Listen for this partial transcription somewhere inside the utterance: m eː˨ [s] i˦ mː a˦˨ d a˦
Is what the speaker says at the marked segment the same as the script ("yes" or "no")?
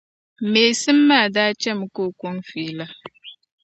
yes